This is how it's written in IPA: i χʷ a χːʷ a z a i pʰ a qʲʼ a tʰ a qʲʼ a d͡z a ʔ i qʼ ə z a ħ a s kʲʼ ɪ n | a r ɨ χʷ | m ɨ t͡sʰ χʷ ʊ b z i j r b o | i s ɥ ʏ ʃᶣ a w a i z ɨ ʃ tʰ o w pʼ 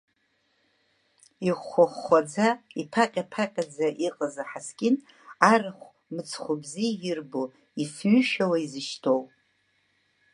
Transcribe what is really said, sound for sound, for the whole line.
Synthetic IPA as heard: i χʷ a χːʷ a d͡z a i pʰ a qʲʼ a pʰ a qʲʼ a d͡z a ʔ i qʼ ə z a ħ a s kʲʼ ɪ n | a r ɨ χʷ | m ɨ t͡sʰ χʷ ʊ b z i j r b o | i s ɥ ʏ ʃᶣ a w a i z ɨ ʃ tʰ o w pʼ